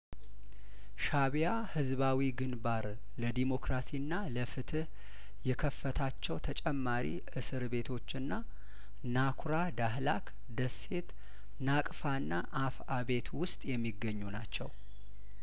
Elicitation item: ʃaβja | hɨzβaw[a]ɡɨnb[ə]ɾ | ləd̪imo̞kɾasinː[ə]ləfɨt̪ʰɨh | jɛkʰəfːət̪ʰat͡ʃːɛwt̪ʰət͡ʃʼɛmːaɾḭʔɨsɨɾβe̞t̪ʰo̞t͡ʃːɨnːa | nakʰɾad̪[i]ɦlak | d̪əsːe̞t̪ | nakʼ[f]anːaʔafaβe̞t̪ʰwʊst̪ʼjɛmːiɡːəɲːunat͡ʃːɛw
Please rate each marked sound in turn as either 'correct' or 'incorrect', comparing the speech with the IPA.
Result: incorrect: i, incorrect: a, incorrect: a, incorrect: a, correct

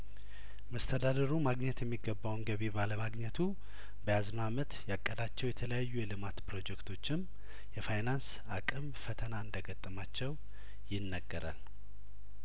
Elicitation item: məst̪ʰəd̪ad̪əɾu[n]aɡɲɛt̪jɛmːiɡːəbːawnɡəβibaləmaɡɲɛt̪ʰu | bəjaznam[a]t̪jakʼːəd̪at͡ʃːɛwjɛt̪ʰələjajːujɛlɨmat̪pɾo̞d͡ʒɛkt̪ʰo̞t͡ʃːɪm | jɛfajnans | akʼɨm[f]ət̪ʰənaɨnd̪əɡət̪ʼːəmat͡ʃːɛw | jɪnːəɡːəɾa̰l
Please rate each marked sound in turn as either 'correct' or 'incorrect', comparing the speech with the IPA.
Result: incorrect: m, incorrect: ə, correct

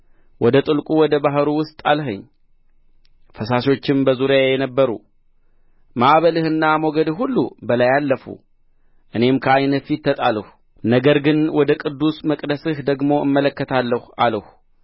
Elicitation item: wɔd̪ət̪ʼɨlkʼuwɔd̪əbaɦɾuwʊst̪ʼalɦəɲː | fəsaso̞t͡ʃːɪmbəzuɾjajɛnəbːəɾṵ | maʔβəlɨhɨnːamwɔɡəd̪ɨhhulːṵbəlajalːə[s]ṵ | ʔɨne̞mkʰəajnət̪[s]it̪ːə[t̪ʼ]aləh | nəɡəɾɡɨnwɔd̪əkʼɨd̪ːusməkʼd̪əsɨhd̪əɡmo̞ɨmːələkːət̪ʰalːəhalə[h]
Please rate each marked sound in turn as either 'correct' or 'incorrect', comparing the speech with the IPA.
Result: incorrect: f, incorrect: f, correct, correct

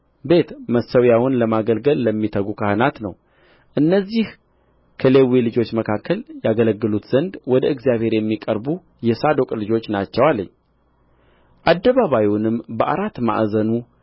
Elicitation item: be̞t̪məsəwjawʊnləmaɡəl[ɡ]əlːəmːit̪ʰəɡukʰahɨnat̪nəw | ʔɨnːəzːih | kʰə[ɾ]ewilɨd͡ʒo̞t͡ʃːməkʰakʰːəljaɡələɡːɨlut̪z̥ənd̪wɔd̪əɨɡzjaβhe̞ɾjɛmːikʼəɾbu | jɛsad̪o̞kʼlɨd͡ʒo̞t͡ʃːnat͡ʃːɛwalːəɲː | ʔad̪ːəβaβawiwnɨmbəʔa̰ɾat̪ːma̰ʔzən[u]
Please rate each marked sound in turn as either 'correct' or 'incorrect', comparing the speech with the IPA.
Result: correct, incorrect: l, correct

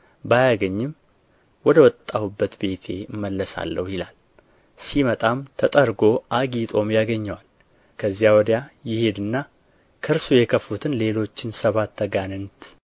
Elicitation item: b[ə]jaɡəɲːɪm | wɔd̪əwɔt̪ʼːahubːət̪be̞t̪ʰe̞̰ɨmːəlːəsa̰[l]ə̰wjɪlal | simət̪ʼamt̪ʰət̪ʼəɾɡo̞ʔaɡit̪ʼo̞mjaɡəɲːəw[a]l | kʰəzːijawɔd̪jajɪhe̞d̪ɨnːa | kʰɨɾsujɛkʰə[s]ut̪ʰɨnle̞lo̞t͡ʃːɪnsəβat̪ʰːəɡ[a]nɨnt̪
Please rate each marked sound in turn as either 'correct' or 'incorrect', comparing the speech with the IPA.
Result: incorrect: a, incorrect: lː, correct, incorrect: f, correct

